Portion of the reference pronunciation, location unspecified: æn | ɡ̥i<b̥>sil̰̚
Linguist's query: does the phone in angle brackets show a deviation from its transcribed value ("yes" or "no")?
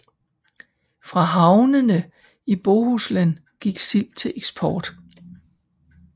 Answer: yes